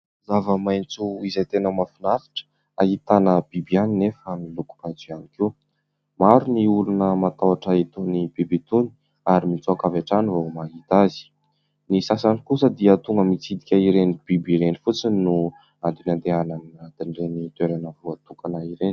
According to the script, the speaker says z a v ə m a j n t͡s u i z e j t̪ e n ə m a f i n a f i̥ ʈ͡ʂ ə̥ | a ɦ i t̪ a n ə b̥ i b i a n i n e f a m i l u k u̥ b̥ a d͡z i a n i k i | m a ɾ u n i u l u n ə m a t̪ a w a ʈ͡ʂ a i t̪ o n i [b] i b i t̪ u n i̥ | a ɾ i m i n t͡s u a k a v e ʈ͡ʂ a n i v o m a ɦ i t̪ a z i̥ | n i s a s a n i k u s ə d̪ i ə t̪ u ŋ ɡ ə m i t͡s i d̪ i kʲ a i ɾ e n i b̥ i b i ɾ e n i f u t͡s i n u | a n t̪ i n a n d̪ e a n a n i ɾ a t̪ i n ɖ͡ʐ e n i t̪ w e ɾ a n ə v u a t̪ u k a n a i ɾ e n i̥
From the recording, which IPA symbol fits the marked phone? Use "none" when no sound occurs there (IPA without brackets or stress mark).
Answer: b